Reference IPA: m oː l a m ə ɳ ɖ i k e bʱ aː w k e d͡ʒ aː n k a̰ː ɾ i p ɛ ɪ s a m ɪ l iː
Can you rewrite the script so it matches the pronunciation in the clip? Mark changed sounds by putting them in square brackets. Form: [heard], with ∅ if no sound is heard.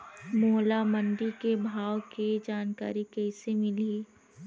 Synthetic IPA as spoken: m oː l a m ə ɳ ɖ i k e bʱ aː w k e d͡ʒ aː n k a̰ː ɾ i [k] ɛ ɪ s [e] m ɪ l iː